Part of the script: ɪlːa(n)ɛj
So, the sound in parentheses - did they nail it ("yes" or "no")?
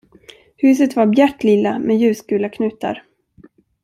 no